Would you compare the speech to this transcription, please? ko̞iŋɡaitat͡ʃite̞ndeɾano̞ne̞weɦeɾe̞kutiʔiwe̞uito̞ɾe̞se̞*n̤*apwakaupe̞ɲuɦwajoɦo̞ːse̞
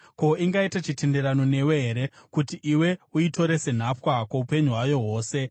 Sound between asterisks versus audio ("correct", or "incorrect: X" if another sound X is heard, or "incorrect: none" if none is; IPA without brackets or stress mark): correct